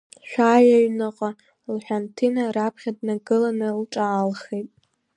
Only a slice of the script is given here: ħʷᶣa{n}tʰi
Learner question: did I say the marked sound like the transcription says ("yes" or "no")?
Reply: yes